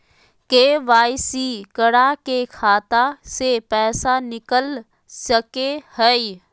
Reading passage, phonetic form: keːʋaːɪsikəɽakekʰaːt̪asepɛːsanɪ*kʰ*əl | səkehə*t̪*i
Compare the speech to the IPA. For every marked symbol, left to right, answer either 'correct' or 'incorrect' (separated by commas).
incorrect, incorrect